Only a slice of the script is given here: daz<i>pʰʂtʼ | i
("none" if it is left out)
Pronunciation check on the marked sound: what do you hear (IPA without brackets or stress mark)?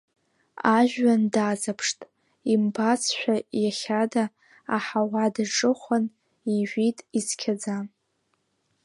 a